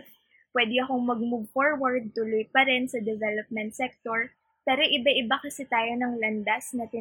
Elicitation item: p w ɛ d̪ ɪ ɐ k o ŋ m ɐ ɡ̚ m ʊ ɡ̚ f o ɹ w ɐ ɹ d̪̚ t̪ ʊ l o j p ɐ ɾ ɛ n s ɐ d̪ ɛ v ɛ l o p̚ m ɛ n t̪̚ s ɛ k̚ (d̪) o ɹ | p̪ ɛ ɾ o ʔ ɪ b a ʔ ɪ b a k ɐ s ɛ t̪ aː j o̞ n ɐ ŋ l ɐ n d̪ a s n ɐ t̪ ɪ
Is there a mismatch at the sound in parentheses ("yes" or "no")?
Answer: yes